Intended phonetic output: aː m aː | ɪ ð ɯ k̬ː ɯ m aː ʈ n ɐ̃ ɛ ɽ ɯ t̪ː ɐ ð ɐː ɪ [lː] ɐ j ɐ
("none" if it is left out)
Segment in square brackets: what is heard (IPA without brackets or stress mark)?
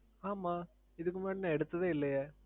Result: lː